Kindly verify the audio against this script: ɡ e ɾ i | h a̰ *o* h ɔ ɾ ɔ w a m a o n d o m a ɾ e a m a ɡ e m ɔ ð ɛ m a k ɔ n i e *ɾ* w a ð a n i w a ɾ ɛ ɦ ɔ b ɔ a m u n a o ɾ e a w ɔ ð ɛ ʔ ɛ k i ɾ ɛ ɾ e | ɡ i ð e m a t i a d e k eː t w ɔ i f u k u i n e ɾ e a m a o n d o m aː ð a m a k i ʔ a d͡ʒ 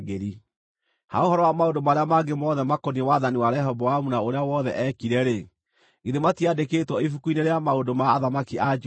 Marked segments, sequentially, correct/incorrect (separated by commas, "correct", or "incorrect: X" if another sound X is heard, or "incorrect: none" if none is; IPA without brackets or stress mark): correct, incorrect: none